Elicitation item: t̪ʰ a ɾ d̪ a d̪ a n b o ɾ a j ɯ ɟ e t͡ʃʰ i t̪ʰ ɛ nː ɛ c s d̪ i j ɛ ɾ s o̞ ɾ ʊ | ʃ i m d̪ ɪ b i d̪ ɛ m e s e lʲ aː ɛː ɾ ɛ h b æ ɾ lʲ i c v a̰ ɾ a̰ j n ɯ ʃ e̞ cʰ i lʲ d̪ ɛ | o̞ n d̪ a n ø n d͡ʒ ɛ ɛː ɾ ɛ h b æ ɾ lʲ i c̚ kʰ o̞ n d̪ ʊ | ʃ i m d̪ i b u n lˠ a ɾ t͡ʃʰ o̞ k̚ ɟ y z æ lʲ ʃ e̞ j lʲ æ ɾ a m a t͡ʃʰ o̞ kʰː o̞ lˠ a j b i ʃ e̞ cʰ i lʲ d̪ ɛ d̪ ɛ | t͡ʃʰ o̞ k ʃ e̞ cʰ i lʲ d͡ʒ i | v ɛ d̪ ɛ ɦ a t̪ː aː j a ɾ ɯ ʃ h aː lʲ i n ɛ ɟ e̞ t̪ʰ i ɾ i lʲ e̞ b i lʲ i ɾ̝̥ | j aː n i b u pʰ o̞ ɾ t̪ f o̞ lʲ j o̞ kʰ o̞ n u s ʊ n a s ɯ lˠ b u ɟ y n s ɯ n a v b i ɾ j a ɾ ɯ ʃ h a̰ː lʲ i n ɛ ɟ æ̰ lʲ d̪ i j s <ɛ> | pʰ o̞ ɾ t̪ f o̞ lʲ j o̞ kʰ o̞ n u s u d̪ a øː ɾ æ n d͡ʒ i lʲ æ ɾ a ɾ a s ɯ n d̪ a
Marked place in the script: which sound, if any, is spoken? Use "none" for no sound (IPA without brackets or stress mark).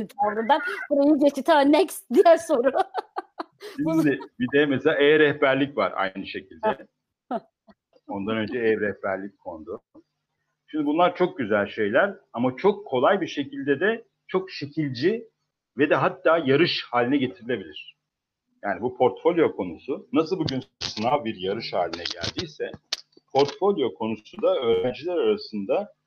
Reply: ɛ